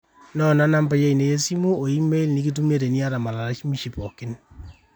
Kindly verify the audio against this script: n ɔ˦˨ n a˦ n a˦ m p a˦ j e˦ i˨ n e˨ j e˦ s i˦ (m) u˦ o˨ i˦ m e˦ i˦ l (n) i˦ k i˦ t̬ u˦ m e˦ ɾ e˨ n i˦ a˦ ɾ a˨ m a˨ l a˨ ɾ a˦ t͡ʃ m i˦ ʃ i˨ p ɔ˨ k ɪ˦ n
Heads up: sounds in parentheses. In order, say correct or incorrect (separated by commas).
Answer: correct, correct